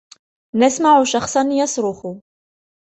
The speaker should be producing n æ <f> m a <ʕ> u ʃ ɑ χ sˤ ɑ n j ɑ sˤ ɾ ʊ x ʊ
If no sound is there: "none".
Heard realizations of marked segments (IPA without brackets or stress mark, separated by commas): s, ʕ